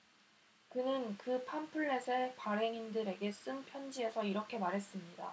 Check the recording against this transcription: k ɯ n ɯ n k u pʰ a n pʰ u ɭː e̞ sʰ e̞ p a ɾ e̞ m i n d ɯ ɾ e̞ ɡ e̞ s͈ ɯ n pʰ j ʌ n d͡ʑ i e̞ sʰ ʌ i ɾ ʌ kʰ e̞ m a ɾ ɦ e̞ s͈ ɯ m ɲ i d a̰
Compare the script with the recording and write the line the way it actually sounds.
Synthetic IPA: k ɯ n ɯ n k ɯ pʰ a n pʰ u ɭː e̞ sʰ e̞ p a ɾ e̞ ŋ i n d ɯ ɾ e̞ ɡ e̞ s͈ ɯ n pʰ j ʌ n d͡ʑ i e̞ sʰ ʌ i ɾ ʌ kʰ e̞ m a ɾ ɦ e̞ s͈ ɯ m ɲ i d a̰